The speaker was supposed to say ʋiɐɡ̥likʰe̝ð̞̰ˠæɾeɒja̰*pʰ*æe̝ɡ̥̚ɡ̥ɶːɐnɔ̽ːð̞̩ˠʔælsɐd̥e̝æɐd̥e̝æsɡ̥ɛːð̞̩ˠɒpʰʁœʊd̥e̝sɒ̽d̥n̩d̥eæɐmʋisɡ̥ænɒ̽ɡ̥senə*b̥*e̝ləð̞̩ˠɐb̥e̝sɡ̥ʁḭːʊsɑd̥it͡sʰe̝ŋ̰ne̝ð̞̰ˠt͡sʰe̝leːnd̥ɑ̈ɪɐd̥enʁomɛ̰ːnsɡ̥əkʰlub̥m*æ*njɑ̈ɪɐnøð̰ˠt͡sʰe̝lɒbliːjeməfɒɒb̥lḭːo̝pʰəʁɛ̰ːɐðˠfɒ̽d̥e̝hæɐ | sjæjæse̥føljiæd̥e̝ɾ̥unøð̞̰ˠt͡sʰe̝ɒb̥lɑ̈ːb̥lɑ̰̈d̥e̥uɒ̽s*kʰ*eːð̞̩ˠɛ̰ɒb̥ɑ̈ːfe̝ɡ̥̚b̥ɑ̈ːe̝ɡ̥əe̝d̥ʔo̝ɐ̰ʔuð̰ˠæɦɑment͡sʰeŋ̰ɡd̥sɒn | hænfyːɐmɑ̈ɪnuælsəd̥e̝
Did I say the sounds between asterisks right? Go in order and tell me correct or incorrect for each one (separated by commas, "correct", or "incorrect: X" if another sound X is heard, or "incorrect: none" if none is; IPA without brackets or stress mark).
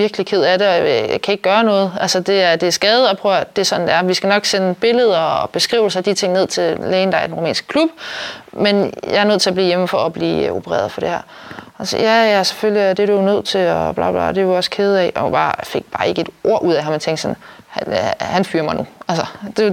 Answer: incorrect: kʰ, correct, incorrect: e, correct